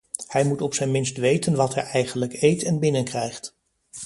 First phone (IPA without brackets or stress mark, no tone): h